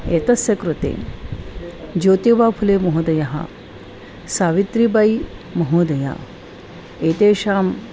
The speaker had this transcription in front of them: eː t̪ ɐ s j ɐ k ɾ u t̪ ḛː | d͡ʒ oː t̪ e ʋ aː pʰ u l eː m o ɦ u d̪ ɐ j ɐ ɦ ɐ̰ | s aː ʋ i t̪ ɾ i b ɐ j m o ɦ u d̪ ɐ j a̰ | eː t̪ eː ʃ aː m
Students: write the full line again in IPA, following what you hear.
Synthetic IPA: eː t̪ ɐ s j ɐ k ɾ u t̪ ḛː | d͡ʒ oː t̪ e ʋ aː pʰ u l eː m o ɦ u d̪ ɐ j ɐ ɦ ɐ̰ | s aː ʋ i t̪ ɾ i b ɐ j m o ɦ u d̪ ɐ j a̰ | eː t̪ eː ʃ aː m

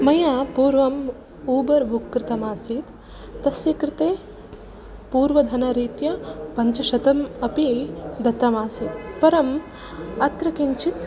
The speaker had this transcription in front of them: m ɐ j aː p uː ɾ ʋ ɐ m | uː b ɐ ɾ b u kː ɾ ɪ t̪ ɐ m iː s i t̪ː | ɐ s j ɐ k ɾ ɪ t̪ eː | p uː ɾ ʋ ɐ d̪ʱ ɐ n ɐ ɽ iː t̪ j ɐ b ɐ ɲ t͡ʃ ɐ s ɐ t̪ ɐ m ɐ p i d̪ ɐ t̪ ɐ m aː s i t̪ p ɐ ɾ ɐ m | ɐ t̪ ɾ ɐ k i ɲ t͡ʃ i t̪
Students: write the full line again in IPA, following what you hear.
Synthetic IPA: m ɐ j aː p uː ɾ ʋ ɐ m | uː b ɐ ɾ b u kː ɾ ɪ t̪ ɐ m aː s i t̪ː | ɐ s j ɐ k ɾ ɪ t̪ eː | p uː ɾ ʋ ɐ d̪ʱ ɐ n ɐ ɾ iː t̪ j ɐ p ɐ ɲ t͡ʃ ɐ ʃ ɐ t̪ ɐ m ɐ p i d̪ ɐ t̪ ɐ m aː s i t̪ p ɐ ɾ ɐ m | ɐ t̪ ɾ ɐ k i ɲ t͡ʃ i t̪

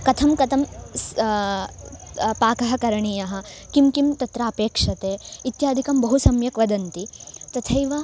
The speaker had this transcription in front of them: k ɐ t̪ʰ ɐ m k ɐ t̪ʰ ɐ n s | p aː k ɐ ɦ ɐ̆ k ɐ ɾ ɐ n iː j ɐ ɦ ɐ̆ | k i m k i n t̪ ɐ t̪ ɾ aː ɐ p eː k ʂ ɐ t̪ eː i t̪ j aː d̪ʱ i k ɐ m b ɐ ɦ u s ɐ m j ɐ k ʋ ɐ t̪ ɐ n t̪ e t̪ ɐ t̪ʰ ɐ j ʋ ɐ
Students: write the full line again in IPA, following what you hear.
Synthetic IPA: k ɐ t̪ʰ ɐ m k ɐ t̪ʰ ɐ m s | p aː k ɐ ɦ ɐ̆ k ɐ ɾ ɐ ɳ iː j ɐ ɦ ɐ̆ | k i m k i m t̪ ɐ t̪ ɾ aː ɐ p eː k ʂ ɐ t̪ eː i t̪ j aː d̪ʱ i k ɐ m b ɐ ɦ u s ɐ m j ɐ k ʋ ɐ d̪ ɐ n t̪ i t̪ ɐ t̪ʰ ɐ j ʋ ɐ

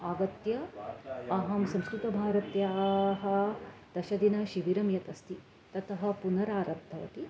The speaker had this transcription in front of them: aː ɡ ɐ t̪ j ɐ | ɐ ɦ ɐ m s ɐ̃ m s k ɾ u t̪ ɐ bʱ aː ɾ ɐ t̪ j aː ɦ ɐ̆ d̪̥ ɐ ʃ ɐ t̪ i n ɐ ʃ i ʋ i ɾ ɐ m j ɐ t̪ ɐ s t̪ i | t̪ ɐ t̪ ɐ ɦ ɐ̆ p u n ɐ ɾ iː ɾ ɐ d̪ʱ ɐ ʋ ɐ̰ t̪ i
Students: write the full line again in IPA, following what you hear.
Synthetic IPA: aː ɡ ɐ t̪ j ɐ | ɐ ɦ ɐ m s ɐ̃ m s k ɾ u t̪ ɐ bʱ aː ɾ ɐ t̪ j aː ɦ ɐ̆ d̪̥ ɐ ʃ ɐ d̪ i n ɐ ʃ i ʋ i ɾ ɐ m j ɐ t̪ ɐ s t̪ i | t̪ ɐ t̪ ɐ ɦ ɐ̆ p u n ɐ ɾ aː ɾ ɐ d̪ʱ ɐ ʋ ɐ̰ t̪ i

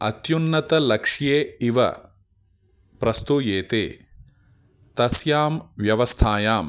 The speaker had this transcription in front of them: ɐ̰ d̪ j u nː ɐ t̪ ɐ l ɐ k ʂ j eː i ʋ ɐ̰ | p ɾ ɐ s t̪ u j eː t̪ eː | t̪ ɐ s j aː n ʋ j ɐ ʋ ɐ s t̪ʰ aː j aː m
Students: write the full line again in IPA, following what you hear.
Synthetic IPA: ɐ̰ t̪ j u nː ɐ t̪ ɐ l ɐ k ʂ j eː i ʋ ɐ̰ | p ɾ ɐ s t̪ u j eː t̪ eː | t̪ ɐ s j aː m ʋ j ɐ ʋ ɐ s t̪ʰ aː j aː m

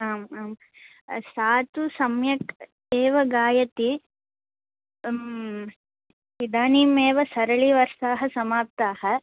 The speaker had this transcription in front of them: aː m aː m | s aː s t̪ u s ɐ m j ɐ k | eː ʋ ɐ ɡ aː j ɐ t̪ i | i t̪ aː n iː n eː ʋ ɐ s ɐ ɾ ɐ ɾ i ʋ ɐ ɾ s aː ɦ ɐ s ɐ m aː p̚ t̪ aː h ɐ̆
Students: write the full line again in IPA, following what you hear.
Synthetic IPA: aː m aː m | s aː t̪ u s ɐ m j ɐ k | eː ʋ ɐ ɡ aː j ɐ t̪ i | i d̪ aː n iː m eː ʋ ɐ s ɐ ɾ ɐ ɭ i ʋ ɐ ɾ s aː ɦ ɐ s ɐ m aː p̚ t̪ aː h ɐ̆

